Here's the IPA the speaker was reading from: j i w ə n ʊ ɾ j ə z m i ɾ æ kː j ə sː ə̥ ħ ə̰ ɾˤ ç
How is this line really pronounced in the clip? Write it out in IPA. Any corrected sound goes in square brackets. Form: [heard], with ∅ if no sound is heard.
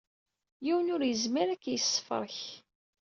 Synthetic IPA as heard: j i w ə n ʊ ɾ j ə z m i ɾ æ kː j ə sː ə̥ [f] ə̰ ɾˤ ç